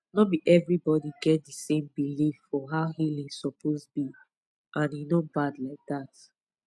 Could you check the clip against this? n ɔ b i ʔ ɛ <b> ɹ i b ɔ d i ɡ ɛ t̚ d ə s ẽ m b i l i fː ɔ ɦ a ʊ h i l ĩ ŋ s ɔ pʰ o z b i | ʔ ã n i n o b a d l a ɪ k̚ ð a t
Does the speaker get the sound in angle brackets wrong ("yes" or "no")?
yes